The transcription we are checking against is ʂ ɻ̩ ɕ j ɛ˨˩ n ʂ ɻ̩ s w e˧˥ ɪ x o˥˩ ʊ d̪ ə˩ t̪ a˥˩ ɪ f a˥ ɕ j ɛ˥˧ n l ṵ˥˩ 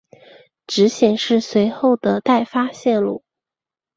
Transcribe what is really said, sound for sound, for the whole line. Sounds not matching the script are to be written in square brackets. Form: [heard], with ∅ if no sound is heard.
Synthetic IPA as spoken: [ʈ͡ʂ] ɻ̩ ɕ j ɛ˨˩ n ʂ ɻ̩ s w e˧˥ ɪ x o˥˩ ʊ d̪ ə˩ t̪ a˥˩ ɪ f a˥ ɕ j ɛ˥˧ n l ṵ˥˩